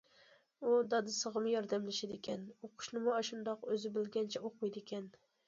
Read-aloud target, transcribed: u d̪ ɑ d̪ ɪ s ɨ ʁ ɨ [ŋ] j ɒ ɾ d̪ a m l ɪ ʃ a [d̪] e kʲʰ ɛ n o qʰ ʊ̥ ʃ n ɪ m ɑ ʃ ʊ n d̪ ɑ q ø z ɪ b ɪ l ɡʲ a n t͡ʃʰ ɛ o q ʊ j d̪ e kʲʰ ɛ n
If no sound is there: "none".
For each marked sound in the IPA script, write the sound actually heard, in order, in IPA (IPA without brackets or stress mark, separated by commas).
m, d̪